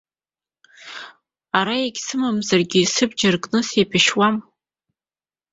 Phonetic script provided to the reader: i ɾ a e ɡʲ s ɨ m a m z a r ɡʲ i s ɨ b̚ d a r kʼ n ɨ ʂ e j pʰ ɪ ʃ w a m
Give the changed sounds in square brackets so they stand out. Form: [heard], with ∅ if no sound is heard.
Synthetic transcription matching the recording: [a] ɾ a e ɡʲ s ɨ m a m z a r ɡʲ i s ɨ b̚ [d͡ʒ] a r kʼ n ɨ [s] e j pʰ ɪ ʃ w a m